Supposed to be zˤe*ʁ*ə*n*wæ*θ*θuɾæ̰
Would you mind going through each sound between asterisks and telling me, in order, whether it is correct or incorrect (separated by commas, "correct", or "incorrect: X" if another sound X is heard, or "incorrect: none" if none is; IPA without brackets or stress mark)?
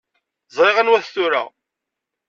correct, correct, correct